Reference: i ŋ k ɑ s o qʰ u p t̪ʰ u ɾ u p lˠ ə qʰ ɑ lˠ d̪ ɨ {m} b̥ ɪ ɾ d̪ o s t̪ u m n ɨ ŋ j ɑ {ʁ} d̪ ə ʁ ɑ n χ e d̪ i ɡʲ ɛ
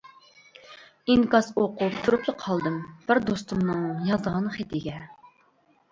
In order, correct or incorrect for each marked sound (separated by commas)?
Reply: correct, incorrect